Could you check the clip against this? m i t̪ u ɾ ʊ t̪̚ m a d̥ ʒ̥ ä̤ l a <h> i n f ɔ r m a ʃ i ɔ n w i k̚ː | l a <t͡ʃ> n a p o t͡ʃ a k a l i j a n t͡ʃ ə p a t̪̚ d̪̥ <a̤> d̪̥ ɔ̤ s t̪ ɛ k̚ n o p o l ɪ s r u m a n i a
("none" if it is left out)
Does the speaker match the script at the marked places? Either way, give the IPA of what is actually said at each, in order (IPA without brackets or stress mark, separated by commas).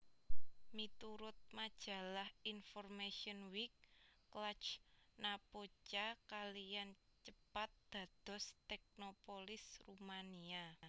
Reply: h, t͡ʃ, a̤